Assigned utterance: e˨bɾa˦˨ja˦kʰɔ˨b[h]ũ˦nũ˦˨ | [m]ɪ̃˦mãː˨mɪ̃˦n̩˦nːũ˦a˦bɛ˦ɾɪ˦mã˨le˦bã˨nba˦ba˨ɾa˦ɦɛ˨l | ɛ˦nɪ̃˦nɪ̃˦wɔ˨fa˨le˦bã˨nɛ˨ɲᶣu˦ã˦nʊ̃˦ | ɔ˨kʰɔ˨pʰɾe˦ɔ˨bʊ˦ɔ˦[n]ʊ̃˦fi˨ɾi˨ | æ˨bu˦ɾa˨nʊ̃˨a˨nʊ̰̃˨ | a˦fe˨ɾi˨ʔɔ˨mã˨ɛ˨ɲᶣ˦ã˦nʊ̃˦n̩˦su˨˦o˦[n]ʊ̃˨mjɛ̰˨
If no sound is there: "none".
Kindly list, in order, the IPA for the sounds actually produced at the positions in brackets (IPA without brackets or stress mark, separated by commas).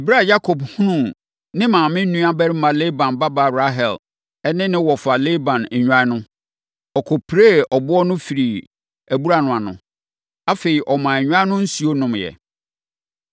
h, n, n, n